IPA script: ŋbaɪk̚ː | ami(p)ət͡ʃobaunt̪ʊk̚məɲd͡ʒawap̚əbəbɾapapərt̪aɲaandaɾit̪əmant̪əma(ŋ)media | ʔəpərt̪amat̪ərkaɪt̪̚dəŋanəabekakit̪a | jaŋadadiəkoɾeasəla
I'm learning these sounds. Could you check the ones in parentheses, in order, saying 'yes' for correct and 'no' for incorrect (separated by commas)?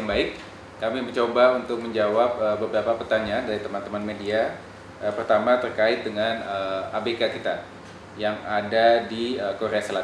no, no